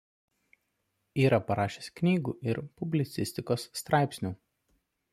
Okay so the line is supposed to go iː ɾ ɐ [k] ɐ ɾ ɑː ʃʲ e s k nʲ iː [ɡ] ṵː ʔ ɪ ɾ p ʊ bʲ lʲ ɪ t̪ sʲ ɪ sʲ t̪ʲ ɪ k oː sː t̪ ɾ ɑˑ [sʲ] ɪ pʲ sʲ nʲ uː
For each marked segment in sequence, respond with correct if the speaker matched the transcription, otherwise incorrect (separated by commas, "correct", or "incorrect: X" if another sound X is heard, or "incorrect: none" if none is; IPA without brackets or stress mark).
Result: incorrect: p, correct, incorrect: none